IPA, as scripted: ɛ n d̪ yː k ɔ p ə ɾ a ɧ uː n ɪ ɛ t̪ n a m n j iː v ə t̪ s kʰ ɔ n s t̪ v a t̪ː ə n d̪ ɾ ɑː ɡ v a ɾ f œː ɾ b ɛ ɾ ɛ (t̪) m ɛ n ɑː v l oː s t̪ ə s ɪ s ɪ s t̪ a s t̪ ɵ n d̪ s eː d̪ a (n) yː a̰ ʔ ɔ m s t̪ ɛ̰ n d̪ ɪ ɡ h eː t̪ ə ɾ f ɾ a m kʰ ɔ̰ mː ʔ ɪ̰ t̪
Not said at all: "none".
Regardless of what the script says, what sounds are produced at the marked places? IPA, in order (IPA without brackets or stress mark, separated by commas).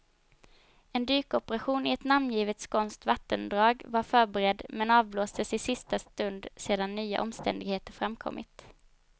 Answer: d̪, nː